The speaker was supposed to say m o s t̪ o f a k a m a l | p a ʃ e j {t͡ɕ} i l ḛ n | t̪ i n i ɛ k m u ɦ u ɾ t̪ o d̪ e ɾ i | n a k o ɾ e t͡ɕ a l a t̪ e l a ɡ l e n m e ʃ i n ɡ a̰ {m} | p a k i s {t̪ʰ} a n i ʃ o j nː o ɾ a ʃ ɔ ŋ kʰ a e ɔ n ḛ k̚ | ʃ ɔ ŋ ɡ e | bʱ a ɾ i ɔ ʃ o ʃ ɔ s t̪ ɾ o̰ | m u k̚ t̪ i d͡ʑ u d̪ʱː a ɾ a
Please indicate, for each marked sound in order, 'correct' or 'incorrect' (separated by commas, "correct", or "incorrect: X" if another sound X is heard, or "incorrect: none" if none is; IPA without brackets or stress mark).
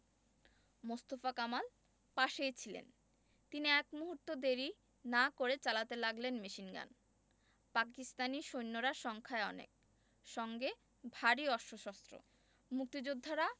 incorrect: t͡ɕʰ, incorrect: n, incorrect: t̪